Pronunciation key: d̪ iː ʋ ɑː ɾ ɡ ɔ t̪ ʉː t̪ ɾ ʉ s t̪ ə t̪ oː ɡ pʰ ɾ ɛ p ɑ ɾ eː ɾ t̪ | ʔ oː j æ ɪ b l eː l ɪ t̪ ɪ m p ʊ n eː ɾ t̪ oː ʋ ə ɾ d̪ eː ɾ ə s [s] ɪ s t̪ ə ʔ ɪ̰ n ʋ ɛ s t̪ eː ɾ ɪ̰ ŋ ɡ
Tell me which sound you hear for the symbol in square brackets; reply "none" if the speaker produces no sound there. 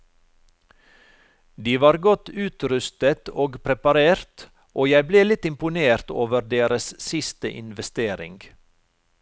s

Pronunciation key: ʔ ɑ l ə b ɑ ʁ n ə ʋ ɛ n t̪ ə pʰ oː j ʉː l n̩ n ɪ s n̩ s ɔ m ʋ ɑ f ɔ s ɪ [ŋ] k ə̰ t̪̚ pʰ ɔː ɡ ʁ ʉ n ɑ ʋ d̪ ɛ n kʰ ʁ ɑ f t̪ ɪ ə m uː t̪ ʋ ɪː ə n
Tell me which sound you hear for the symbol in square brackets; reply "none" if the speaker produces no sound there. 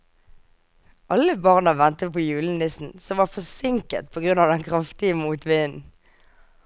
ŋ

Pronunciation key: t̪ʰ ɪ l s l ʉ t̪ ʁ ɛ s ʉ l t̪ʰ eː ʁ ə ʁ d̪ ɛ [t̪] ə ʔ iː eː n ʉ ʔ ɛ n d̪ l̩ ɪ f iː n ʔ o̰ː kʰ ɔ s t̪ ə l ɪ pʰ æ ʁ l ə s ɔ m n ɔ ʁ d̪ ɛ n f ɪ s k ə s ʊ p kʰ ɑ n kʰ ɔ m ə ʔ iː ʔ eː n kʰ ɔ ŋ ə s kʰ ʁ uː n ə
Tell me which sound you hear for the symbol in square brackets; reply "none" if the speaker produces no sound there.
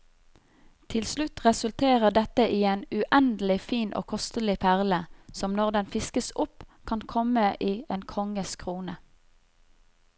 t̪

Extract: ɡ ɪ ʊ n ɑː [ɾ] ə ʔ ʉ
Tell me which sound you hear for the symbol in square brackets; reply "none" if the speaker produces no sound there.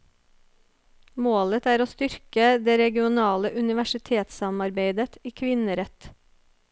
l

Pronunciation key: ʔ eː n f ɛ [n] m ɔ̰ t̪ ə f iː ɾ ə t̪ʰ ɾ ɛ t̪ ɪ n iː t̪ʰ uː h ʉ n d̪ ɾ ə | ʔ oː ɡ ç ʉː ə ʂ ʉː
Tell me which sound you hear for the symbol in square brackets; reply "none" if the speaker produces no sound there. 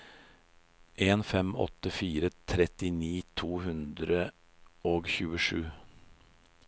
none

